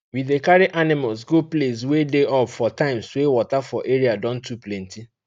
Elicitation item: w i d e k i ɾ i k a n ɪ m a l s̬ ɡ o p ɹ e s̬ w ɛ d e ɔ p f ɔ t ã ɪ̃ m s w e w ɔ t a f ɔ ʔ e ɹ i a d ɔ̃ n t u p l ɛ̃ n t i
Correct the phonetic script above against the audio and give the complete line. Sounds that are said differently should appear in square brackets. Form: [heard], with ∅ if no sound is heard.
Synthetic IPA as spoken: w i d e k [a] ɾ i [ʔ] a n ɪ m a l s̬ ɡ o p [l] e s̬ w [e] d e ɔ p f ɔ t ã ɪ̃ m s w e w ɔ t a f ɔ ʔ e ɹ i a d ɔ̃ n t u p l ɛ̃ n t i